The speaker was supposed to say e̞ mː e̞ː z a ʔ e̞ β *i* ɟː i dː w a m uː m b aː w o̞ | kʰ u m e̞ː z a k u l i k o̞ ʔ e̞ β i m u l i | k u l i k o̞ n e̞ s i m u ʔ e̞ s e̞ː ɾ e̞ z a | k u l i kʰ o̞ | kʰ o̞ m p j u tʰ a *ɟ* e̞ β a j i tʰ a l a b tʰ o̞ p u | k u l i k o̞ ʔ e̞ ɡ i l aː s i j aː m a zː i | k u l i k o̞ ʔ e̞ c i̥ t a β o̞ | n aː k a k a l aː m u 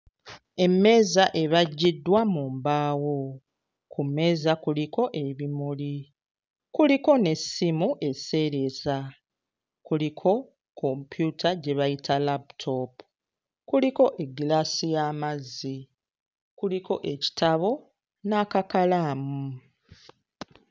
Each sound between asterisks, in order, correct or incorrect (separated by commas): incorrect, correct